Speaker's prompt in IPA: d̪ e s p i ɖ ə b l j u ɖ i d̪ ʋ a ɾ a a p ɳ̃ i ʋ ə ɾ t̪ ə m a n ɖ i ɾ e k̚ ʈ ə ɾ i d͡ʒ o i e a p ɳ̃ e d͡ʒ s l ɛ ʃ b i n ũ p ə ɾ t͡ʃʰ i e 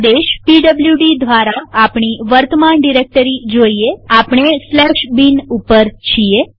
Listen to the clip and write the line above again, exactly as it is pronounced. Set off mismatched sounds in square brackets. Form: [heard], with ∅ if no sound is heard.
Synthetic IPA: d̪ e [ʃ] p i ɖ ə b l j u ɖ i d̪ ʋ a ɾ a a p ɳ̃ i ʋ ə ɾ t̪ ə m a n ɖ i ɾ e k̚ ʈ ə ɾ i d͡ʒ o i e a p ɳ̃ e [∅] s l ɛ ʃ b i n [u] p ə ɾ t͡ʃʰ i e